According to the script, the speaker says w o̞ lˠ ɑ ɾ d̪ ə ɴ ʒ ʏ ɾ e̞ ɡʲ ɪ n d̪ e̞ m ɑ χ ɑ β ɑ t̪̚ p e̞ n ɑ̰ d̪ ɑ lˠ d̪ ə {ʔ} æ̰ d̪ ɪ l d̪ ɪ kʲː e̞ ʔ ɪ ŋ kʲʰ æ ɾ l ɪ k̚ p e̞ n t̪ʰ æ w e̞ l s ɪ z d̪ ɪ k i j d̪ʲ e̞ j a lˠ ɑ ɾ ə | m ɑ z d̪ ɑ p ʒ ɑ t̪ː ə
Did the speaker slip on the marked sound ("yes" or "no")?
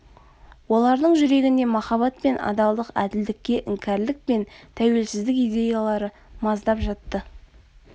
yes